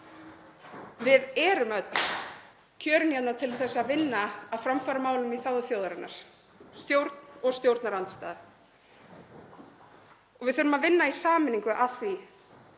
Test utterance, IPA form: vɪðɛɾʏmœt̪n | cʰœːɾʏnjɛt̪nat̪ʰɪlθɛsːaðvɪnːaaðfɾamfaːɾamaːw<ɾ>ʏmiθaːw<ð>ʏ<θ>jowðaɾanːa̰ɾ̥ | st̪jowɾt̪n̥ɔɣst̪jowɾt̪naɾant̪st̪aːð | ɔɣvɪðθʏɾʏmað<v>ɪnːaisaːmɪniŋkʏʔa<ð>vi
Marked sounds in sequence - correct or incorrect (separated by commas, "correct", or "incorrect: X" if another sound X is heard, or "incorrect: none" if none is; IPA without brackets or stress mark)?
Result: incorrect: l, correct, correct, correct, incorrect: θ